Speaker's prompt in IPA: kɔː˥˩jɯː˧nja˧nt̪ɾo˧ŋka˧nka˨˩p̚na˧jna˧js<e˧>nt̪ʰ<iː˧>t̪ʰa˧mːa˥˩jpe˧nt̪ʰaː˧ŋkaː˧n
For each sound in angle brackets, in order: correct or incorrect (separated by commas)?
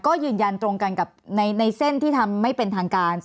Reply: incorrect, incorrect